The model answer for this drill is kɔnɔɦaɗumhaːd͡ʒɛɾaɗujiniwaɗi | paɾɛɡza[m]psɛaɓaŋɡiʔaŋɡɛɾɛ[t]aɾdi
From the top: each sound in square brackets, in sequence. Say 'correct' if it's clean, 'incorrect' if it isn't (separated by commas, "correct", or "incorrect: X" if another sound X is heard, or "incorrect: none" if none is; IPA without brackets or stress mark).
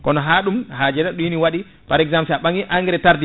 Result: correct, correct